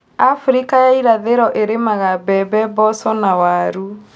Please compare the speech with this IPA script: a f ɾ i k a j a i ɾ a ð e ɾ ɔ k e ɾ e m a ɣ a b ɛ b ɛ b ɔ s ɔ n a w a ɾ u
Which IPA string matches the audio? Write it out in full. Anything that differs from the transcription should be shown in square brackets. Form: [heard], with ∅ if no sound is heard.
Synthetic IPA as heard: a f ɾ i k a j a i ɾ a ð e ɾ ɔ [ʔ] e ɾ e m a ɣ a b ɛ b ɛ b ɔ s ɔ n a w a ɾ u

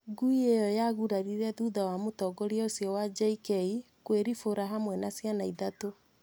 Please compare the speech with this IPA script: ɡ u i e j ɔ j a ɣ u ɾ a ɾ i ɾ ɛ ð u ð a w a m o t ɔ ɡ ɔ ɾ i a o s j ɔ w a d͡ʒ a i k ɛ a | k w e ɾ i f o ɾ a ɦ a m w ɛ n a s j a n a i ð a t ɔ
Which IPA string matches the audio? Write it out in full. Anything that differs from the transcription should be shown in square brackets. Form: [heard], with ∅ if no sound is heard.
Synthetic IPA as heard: ɡ u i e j ɔ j a ɣ u ɾ a ɾ i ɾ ɛ ð u ð a w a m o t ɔ ɡ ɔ ɾ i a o s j ɔ w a d͡ʒ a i k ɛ [i] | k w e ɾ i f o ɾ a ɦ a m w ɛ n a s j a n a i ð a t [o]

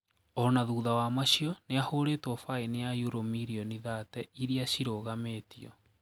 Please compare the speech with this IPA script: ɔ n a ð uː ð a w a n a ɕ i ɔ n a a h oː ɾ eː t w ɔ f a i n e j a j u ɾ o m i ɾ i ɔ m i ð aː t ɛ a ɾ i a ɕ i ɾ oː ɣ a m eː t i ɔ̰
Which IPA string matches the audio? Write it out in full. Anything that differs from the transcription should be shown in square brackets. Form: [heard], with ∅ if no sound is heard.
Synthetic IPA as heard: ɔ n a ð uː ð a w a [m] a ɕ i ɔ n [e] a h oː ɾ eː t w ɔ f a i n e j a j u ɾ o m i ɾ i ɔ [n] i ð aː t ɛ [i] ɾ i a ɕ i ɾ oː ɣ a m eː t i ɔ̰

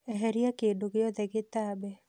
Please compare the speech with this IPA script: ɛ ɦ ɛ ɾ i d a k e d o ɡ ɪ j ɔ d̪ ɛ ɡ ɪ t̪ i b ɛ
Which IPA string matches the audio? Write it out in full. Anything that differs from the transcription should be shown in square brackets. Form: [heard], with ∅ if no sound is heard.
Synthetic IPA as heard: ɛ ɦ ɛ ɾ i [∅] a k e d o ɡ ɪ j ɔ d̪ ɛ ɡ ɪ t̪ [a] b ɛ

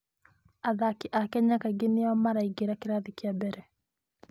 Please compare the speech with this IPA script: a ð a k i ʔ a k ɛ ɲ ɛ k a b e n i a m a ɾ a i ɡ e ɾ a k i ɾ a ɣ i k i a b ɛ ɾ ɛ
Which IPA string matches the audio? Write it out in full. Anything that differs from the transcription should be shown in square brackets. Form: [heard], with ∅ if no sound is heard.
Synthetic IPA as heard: a ð a k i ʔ a k ɛ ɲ [a] k a [ɡ] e n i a m a ɾ a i ɡ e ɾ a k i ɾ a [ð] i k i a b ɛ ɾ ɛ

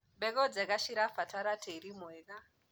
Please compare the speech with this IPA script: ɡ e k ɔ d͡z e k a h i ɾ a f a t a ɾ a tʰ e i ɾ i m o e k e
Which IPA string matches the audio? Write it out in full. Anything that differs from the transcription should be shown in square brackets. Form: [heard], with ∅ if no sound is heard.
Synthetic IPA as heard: [b] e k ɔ d͡z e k a [ʃ] i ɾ a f a t a ɾ a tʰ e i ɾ i m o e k [a]

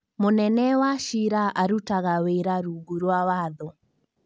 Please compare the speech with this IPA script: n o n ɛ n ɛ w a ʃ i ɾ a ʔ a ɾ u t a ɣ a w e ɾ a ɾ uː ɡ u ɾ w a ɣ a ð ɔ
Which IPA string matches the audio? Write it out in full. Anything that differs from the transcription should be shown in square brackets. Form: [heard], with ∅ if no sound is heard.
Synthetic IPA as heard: [m] o n ɛ n ɛ w a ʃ i ɾ a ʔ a ɾ u t a ɣ a w e ɾ a ɾ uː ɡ u ɾ w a [w] a ð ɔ

